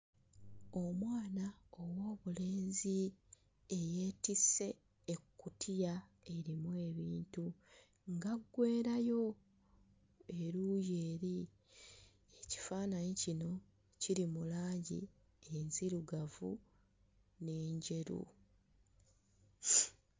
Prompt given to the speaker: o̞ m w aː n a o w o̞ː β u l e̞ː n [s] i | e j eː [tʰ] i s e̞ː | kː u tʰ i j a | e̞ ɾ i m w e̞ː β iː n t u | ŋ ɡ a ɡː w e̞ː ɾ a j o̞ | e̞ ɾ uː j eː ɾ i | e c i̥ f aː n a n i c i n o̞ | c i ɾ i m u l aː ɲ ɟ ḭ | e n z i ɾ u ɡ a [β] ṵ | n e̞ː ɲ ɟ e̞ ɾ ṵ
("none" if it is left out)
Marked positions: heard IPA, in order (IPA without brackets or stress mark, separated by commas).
z, t, v